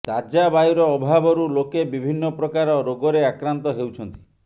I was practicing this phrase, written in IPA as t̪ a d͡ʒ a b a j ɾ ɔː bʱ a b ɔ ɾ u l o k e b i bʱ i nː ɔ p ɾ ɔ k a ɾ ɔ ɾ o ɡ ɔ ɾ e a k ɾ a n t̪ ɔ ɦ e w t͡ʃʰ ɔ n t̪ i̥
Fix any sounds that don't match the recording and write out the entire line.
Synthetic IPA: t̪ a d͡ʒ a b a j ɾ ɔː bʱ a b ɔ ɾ u l o k e b i bʱ i nː ɔ p ɾ ɔ k a ɾ ɔ ɾ o ɡ ɔ ɾ e a k ɾ a n t̪ ɔ ɦ e w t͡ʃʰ ɔ n t̪ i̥